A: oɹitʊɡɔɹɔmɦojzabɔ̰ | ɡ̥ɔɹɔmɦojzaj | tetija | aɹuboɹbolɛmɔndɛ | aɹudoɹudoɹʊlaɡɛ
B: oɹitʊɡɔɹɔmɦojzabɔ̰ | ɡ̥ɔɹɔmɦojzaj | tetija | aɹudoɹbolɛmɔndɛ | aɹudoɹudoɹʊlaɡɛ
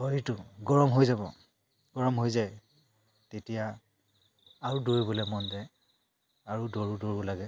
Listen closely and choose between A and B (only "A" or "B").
B